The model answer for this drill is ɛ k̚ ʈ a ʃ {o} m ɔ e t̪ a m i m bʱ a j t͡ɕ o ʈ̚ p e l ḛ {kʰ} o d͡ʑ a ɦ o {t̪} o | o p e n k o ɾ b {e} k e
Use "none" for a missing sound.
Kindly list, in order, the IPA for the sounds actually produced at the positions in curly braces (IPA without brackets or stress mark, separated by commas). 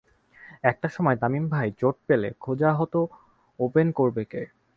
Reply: ɔ, kʰ, t̪, e